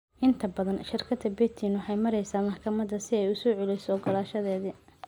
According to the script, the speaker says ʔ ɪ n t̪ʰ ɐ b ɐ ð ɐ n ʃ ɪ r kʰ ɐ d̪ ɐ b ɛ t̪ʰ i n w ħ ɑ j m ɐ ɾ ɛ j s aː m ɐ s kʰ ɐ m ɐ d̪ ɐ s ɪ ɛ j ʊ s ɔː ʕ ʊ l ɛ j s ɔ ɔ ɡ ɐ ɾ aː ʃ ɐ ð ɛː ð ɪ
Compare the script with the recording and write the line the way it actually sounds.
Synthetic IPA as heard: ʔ ɪ n t̪ʰ ɐ b ɐ ð ɐ n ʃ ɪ r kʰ ɐ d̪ ɐ b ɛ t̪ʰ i n w ħ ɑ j m ɐ ɾ ɛ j s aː m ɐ ħ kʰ ɐ m ɐ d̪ ɐ s ɪ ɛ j ʊ s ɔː ʕ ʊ l ɛ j s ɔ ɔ ɡ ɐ l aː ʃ ɐ ð ɛː ð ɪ